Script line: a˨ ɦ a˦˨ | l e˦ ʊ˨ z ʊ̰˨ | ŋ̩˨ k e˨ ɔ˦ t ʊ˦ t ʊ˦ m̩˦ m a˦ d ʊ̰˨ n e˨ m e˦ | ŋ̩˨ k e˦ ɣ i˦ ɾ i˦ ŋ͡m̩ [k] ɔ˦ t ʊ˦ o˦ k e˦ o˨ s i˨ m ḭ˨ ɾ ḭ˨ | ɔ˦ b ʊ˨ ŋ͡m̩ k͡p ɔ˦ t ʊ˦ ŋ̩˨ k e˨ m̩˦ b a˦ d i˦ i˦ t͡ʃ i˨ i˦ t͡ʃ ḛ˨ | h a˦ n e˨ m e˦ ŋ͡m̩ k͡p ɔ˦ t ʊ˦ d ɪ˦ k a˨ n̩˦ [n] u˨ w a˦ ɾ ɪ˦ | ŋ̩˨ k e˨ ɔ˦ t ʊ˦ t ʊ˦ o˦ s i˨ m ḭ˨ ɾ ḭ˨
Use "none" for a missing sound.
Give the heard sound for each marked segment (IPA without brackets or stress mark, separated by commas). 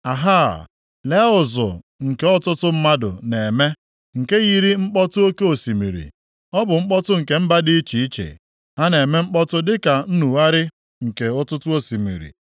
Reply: k͡p, n